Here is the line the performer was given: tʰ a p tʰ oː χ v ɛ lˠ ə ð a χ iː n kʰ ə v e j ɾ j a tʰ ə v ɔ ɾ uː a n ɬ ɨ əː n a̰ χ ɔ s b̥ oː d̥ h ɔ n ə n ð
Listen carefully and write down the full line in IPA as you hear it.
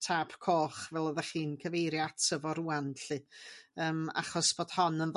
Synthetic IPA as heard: tʰ a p kʰ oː χ v ɛ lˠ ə ð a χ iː n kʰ ə v e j ɾ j a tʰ ə v ɔ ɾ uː a n ɬ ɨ əː m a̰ χ ɔ s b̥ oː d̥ h ɔ n ə n ð